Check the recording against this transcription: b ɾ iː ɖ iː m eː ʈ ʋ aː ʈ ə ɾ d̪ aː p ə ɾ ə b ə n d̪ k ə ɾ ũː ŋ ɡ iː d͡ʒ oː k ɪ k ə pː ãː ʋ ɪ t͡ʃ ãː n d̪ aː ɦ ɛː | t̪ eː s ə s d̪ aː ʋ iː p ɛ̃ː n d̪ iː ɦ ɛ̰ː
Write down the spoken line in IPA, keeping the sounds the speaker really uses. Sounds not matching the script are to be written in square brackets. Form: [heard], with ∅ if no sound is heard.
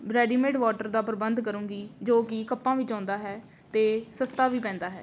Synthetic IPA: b ɾ [ɛː] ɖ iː m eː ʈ ʋ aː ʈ ə ɾ d̪ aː p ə ɾ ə b ə n d̪ k ə ɾ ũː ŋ ɡ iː d͡ʒ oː k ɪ k ə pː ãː ʋ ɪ t͡ʃ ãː n d̪ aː ɦ ɛː | t̪ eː s ə s [t̪] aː ʋ iː p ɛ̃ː n d̪ [aː] ɦ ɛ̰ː